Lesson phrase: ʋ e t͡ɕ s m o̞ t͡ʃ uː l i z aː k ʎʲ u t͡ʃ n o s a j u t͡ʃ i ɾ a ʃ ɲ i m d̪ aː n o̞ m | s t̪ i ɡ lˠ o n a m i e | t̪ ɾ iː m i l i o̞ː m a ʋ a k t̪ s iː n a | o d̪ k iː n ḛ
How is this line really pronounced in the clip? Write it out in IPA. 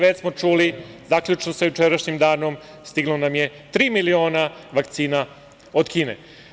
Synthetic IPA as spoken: ʋ e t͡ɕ s m o̞ t͡ʃ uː l i z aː k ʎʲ u t͡ʃ n o s a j u t͡ʃ e ɾ a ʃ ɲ i m d̪ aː n o̞ m | s t̪ i ɡ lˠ o n a m j e | t̪ ɾ iː m i l i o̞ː n a ʋ a k t̪ s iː n a | o d̪ k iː n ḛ